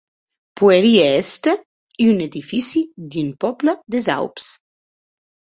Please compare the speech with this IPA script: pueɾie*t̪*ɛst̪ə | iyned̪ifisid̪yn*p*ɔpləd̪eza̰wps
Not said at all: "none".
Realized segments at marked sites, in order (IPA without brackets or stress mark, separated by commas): none, p